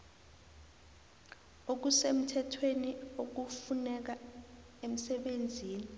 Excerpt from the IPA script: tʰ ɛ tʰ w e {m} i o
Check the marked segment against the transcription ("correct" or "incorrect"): incorrect